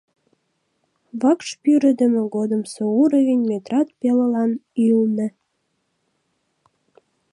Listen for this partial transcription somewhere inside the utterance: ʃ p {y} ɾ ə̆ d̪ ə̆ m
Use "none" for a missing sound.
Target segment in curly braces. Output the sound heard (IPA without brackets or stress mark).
y